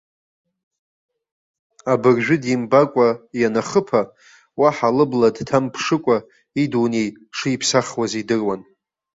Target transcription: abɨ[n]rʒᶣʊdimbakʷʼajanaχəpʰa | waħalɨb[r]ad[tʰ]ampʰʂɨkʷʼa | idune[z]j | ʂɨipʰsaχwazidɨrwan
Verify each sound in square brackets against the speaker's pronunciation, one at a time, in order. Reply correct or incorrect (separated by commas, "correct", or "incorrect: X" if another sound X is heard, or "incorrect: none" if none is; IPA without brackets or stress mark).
incorrect: none, incorrect: l, correct, incorrect: none